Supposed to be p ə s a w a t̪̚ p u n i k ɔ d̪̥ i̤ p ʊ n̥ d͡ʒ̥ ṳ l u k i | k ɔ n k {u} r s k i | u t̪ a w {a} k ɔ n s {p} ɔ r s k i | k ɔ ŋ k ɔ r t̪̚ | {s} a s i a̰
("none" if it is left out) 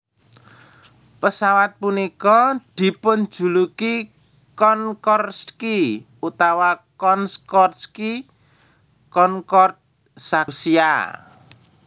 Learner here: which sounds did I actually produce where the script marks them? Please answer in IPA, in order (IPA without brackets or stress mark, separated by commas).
ɔ, a, k, s